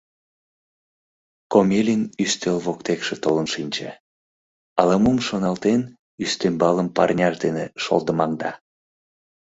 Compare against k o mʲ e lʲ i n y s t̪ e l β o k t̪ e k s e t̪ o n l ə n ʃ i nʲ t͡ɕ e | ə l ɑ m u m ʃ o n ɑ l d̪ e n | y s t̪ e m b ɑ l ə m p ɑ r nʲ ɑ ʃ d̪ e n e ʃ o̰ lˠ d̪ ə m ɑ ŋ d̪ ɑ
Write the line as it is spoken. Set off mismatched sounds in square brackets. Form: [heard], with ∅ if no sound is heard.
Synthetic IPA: k o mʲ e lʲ i n y s t̪ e l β o k t̪ e k [ʃ] e t̪ o [∅] l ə n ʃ i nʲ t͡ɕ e | [ɑ] l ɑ m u m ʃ o n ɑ l [t̪] e n | y s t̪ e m b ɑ l ə m p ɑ r nʲ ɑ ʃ d̪ e n e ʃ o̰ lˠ d̪ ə m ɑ ŋ d̪ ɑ